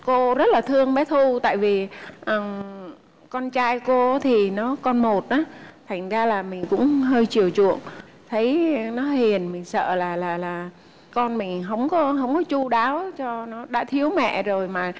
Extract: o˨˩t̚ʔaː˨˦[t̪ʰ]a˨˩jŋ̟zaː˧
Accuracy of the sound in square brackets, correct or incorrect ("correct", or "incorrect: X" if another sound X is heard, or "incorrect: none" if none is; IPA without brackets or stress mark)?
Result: correct